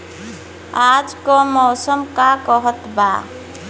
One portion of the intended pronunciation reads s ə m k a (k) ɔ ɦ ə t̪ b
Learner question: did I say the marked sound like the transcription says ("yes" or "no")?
yes